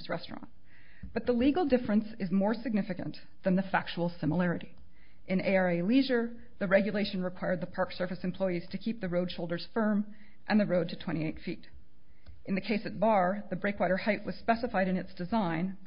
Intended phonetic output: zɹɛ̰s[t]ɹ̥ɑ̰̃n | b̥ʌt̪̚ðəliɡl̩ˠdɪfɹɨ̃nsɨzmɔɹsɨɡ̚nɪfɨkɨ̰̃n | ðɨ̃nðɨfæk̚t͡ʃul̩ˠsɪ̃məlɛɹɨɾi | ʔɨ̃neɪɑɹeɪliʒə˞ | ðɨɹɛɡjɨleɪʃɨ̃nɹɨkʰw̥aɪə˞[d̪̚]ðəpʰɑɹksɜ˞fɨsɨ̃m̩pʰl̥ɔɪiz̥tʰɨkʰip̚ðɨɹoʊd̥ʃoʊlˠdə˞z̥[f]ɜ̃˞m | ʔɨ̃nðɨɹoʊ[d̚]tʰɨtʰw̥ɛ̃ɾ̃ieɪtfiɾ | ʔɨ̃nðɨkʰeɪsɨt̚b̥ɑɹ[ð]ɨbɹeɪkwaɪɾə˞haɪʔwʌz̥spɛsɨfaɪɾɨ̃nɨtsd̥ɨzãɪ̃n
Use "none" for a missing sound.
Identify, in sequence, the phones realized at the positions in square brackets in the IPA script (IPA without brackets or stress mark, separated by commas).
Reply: t, d̪̚, f, d̚, ð